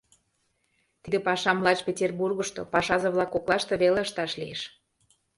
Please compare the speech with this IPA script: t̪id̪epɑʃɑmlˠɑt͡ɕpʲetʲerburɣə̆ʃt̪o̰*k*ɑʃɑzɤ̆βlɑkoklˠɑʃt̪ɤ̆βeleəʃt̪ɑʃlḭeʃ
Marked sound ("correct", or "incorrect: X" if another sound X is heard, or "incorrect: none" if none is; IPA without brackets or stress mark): incorrect: p